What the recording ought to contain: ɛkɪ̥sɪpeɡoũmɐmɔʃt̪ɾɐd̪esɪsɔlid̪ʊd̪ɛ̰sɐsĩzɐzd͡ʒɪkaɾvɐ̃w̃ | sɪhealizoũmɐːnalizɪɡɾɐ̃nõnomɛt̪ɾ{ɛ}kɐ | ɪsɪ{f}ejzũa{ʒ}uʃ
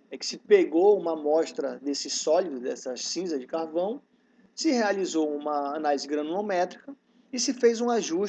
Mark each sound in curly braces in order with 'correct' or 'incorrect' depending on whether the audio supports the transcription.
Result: incorrect: i, correct, correct

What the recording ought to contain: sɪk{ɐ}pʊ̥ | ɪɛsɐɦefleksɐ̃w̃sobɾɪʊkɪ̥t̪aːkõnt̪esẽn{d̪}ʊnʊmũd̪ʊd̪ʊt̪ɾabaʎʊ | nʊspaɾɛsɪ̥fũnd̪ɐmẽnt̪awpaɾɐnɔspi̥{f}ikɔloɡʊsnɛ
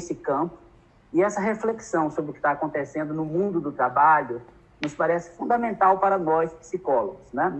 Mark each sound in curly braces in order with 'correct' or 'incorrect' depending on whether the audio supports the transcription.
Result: incorrect: ɐ̃, correct, incorrect: s

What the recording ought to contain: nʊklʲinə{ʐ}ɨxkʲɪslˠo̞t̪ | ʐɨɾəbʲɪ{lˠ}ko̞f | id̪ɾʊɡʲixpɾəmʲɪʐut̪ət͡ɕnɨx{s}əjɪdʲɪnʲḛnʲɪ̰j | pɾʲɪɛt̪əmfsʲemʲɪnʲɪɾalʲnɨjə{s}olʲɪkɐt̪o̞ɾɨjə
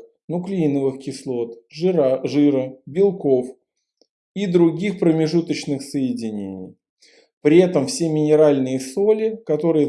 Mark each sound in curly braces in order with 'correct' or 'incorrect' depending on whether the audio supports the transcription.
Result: incorrect: v, correct, correct, correct

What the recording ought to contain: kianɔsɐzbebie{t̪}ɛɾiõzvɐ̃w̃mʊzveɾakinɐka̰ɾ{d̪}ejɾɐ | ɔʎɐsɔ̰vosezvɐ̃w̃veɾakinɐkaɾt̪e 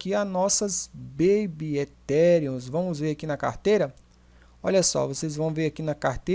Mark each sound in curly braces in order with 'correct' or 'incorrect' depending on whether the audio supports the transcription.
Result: correct, incorrect: t̪

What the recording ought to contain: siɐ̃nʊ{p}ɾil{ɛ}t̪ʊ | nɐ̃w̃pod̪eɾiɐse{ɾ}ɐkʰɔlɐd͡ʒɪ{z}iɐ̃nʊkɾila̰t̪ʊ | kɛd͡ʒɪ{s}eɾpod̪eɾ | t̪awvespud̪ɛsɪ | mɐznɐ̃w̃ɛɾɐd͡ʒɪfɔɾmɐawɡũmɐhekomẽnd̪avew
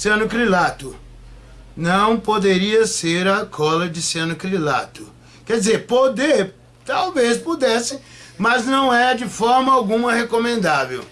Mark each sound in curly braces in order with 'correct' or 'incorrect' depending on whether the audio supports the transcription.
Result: incorrect: k, incorrect: a, correct, incorrect: s, incorrect: z

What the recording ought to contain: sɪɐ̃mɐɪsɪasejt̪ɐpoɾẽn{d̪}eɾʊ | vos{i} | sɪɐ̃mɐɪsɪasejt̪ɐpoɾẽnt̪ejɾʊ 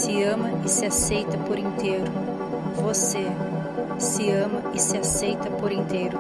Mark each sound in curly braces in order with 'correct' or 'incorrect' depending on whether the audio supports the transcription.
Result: incorrect: t̪, incorrect: e

